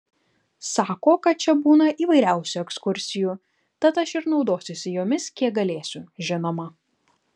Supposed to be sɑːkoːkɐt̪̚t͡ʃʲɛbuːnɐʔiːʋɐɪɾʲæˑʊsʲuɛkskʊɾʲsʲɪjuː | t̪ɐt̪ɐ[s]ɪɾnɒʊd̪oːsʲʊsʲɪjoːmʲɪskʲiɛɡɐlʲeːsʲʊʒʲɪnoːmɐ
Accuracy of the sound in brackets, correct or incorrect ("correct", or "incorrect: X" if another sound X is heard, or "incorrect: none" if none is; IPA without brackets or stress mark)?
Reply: incorrect: ʃ